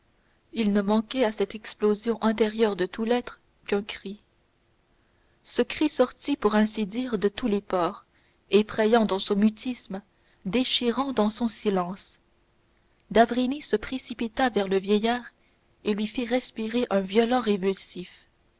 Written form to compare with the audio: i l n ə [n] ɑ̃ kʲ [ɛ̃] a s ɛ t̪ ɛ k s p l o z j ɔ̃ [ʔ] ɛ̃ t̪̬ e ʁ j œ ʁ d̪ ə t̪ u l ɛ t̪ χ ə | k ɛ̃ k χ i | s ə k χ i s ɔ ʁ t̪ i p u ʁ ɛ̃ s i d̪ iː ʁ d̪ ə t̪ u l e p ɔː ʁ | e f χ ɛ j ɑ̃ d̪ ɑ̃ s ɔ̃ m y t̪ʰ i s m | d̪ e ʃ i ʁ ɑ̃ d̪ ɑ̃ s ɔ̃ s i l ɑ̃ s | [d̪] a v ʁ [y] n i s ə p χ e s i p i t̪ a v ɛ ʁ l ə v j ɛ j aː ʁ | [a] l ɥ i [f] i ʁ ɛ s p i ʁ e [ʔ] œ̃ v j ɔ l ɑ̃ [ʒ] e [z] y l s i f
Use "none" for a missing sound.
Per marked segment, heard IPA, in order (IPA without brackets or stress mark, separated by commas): m, ɛ, ʔ, d̪, i, e, f, ʔ, ʁ, v